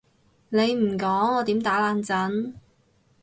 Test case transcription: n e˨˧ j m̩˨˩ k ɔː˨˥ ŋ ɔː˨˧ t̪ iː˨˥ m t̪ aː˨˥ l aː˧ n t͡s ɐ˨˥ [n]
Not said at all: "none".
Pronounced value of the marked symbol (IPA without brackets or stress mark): n